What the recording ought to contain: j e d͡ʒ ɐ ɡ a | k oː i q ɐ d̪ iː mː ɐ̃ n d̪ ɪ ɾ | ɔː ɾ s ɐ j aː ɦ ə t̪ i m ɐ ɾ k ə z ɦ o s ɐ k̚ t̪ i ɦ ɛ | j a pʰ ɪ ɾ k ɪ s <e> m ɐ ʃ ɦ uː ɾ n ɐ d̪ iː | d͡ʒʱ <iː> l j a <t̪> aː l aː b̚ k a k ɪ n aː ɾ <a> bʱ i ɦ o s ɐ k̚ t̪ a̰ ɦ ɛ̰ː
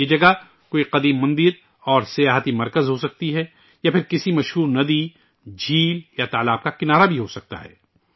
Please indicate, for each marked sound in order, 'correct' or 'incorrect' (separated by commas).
incorrect, correct, correct, correct